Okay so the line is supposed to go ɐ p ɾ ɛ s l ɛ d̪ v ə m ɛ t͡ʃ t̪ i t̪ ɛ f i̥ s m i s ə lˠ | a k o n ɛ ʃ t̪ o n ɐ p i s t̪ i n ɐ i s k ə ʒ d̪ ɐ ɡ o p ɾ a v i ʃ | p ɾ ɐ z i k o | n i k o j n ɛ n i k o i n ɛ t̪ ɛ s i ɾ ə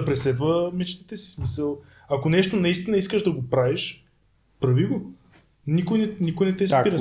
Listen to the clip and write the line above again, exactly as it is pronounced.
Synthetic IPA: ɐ p ɾ ɛ s l ɛ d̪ v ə m ɛ t͡ʃ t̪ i t̪ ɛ s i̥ s m i s ə lˠ | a k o n ɛ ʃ t̪ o n ɐ i s t̪ i n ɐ i s k ə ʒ d̪ ɐ ɡ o p ɾ a v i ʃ | p ɾ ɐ v i ɡ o | n i k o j n ɛ n i k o j n ɛ t̪ ɛ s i ɾ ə